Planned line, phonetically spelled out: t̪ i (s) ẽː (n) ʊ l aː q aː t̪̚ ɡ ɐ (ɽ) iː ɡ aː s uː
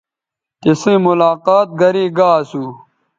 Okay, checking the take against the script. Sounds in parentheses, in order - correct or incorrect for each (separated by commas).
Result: correct, incorrect, incorrect